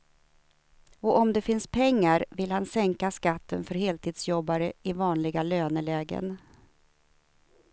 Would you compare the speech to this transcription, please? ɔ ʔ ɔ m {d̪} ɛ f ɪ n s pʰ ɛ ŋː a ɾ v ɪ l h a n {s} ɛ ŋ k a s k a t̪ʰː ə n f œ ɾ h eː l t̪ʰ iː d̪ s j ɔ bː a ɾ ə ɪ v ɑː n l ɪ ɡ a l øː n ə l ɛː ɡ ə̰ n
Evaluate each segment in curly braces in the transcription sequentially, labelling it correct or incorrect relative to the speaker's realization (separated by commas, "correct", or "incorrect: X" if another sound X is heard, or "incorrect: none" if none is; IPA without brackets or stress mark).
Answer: correct, correct